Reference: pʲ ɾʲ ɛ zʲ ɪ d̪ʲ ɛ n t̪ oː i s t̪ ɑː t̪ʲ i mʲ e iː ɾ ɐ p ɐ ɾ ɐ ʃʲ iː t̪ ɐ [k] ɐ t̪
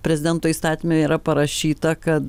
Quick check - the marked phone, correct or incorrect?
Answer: correct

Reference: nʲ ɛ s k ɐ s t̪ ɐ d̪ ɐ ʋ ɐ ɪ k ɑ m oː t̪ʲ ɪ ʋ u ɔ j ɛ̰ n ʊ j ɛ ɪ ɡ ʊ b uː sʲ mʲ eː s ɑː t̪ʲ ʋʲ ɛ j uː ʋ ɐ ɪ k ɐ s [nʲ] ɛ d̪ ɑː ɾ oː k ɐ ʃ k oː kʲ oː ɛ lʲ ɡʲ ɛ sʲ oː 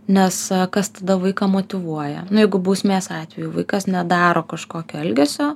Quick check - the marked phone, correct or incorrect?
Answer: correct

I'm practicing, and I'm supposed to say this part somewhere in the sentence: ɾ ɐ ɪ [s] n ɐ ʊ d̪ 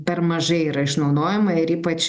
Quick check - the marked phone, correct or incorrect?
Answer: incorrect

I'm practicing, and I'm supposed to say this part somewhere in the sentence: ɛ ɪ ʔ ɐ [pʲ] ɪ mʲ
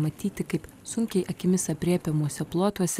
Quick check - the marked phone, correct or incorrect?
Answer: incorrect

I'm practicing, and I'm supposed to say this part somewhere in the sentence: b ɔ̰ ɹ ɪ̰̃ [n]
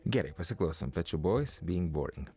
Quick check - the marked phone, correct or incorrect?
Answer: incorrect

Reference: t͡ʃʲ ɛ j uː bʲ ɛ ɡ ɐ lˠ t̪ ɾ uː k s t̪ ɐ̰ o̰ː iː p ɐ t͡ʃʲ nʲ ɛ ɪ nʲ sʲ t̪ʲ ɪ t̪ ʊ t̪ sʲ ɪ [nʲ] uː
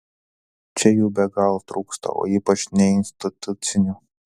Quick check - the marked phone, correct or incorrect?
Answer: correct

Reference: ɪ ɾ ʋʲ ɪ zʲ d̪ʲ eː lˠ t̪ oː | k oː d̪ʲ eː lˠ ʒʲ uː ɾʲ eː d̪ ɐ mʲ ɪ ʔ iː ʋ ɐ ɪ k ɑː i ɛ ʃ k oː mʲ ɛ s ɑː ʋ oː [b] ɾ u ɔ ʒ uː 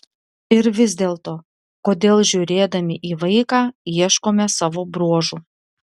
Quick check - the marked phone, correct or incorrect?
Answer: correct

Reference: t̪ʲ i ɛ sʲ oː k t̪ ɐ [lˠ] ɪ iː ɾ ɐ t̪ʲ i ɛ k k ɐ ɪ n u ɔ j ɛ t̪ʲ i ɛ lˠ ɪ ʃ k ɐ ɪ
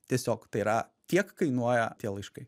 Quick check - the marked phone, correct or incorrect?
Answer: incorrect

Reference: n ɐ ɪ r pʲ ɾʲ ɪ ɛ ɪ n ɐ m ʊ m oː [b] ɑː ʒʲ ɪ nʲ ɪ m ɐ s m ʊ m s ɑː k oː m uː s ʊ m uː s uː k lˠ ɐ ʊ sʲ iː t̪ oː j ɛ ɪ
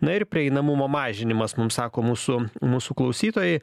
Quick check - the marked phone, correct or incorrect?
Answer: incorrect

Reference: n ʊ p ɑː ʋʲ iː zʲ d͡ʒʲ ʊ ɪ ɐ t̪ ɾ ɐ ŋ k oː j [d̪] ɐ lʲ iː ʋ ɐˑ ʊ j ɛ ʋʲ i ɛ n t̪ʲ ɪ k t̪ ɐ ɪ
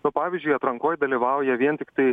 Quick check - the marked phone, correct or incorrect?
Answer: correct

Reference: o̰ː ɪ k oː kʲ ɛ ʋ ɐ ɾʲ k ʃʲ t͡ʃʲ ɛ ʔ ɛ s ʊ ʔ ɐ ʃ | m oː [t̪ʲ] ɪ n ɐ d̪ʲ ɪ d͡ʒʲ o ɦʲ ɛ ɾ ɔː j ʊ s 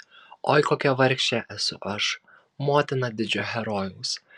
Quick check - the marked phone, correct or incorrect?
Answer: correct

